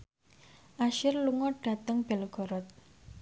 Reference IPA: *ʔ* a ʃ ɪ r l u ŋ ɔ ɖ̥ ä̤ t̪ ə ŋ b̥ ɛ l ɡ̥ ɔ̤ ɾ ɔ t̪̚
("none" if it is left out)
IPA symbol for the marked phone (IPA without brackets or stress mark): ʔ